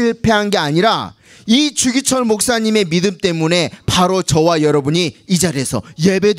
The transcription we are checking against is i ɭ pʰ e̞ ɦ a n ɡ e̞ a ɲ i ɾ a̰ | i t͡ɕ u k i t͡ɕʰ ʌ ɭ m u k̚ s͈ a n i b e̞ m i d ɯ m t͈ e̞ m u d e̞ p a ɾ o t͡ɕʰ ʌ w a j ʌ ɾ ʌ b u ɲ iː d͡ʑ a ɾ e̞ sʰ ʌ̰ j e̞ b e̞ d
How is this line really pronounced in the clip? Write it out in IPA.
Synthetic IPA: i ɭ pʰ e̞ ɦ a n ɡ e̞ a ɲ i ɾ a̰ | i t͡ɕ u ɡ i t͡ɕʰ ʌ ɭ m o k̚ s͈ a ɲ i m e̞ m i d ɯ m t͈ e̞ m u n e̞ p a ɾ o t͡ɕ ʌ w a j ʌ ɾ ʌ b u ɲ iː d͡ʑ a ɾ e̞ sʰ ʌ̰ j e̞ b e̞ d

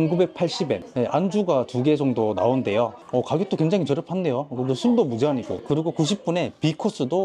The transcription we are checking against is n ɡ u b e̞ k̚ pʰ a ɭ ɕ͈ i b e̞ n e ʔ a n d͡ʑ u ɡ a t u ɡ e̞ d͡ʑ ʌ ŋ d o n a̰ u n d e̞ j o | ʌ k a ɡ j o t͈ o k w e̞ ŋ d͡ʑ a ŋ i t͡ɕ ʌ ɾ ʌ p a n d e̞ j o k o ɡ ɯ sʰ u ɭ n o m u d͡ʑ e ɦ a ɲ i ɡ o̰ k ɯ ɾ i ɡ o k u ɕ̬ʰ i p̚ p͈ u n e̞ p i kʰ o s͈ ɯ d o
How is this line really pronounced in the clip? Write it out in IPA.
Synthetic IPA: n ɡ u b e̞ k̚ pʰ a ɭ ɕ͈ i b e̞ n e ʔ a n d͡ʑ u ɡ a t u ɡ e̞ d͡ʑ ʌ ŋ d o n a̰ o n d e̞ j o | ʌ k a ɡ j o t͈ o k w e̞ ŋ d͡ʑ a ŋ i t͡ɕ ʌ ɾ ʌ pʰ a n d e̞ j o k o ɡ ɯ sʰ u ɭ d o m u d͡ʑ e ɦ a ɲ i ɡ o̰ k ɯ ɾ i ɡ o k u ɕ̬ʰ i p̚ p͈ u n e̞ p i kʰ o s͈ ɯ d o

